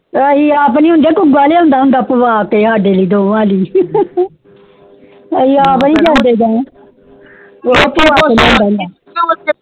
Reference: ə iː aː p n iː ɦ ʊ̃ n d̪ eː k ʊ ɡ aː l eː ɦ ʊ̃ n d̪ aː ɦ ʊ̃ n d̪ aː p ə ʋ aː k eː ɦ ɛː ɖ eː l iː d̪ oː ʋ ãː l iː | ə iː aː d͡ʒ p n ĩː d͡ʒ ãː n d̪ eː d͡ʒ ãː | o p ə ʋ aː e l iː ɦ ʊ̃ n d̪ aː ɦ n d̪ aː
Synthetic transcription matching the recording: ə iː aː p n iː ɦ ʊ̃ n d̪ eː k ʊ ɡ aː l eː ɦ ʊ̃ n d̪ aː ɦ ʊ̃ n d̪ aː p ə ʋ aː k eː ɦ aː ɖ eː l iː d̪ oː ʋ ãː l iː | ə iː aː p n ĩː d͡ʒ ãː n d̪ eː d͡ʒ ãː | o p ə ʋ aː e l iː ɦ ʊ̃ n d̪ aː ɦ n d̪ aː